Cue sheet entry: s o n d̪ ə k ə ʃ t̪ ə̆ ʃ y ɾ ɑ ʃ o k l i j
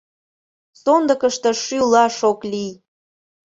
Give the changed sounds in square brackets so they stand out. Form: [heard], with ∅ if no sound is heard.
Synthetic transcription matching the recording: s o n d̪ ə k ə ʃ t̪ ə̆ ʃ y [l] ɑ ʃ o k l i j